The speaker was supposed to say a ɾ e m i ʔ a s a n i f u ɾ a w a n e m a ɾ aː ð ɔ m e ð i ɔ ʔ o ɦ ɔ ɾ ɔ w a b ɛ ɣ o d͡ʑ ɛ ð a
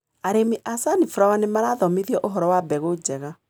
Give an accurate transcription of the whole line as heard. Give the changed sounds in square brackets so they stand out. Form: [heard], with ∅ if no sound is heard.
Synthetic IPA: a ɾ e m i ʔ a s a n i f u ɾ a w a n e m a ɾ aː ð ɔ m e ð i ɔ ʔ o ɦ ɔ ɾ ɔ w a b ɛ ɣ o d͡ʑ ɛ [ɣ] a